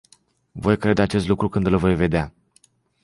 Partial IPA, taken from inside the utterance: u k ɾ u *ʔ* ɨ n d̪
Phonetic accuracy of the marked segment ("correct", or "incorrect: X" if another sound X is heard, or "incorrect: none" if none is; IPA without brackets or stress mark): incorrect: k